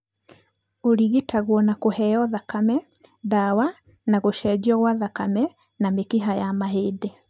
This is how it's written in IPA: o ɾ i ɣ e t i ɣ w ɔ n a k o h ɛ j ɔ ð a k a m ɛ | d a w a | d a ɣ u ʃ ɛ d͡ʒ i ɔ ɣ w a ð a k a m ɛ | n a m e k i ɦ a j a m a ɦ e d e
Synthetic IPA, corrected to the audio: o ɾ i ɣ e t a ɣ w ɔ n a k o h ɛ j ɔ ð a k a m ɛ | d a w a | n a ɣ o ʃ ɛ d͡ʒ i ɔ ɣ w a ð a k a m ɛ | n a m e k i ɦ a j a m a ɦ e d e